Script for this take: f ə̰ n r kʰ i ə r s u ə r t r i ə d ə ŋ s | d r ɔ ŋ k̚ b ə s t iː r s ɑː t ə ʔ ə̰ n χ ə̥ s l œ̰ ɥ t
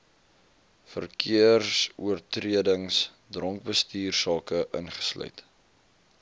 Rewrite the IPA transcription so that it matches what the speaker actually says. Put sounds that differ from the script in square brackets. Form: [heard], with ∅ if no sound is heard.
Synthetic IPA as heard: f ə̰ [∅] r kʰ i ə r s u ə r t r i ə d ə ŋ s | d r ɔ ŋ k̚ b ə s t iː r s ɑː [k] ə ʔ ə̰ n χ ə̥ s l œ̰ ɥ t